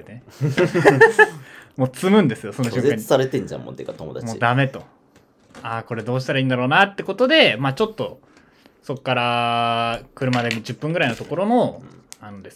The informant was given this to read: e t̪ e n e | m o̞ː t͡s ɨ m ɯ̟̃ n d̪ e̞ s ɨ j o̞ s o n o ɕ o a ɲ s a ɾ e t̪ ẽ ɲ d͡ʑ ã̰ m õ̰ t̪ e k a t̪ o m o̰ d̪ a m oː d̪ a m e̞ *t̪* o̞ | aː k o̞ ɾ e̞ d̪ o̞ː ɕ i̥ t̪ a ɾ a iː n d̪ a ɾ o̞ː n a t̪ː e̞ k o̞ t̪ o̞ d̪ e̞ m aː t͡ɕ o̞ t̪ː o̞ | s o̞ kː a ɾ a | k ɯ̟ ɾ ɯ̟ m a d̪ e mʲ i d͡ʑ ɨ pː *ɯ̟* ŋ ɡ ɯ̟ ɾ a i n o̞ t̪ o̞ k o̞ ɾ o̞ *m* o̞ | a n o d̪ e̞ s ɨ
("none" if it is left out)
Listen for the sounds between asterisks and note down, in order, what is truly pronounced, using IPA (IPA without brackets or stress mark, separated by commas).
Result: t̪, ɯ̟̃, n